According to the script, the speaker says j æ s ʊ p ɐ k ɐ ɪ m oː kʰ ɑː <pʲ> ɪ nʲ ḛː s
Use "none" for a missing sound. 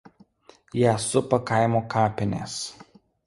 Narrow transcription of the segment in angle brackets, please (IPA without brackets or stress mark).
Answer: pʲ